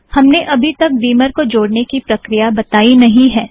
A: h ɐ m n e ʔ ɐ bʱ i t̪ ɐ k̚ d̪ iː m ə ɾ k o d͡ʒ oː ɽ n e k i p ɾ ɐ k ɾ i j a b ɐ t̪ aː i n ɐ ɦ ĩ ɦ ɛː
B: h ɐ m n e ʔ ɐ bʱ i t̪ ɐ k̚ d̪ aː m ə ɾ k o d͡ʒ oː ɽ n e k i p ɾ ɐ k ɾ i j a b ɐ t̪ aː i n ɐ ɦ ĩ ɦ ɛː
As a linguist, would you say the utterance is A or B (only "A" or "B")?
A